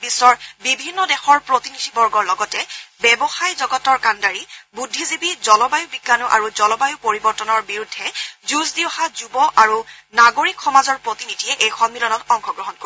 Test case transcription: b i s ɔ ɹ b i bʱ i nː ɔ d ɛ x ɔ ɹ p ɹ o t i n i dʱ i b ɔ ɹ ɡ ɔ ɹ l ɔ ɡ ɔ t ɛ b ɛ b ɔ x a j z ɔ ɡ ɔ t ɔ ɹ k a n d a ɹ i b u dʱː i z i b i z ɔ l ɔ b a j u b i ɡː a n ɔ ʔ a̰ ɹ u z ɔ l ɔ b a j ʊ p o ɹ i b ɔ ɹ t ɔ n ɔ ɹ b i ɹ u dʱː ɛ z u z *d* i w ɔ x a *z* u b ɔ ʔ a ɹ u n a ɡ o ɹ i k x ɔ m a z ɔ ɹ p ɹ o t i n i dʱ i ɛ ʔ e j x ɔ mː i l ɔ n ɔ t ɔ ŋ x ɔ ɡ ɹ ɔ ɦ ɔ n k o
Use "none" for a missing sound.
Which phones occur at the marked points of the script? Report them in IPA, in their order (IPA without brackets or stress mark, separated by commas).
d, z